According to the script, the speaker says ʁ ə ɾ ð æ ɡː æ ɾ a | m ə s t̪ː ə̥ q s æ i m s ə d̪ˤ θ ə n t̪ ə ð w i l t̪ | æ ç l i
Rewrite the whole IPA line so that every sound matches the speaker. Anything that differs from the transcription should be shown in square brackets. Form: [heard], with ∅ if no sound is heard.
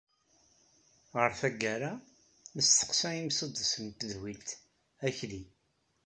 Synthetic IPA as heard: ʁ ə ɾ [θ] æ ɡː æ ɾ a | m ə s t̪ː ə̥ q s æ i m s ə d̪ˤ [s] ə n t̪ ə ð w i l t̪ | æ ç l i